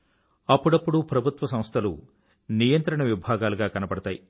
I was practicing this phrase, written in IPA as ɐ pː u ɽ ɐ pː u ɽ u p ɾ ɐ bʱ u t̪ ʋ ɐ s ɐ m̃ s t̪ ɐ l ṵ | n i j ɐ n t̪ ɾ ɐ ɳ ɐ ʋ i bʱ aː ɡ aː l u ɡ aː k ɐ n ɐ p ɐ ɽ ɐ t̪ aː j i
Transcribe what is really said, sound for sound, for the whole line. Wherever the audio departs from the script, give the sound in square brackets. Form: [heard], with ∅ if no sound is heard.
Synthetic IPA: ɐ pː u ɽ ɐ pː u ɽ u p ɾ ɐ bʱ u t̪ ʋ ɐ s ɐ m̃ s [t̪ʰ] ɐ l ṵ | n i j ɐ n t̪ ɾ ɐ ɳ ɐ ʋ i bʱ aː ɡ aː l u ɡ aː k ɐ n ɐ p ɐ ɽ ɐ t̪ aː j i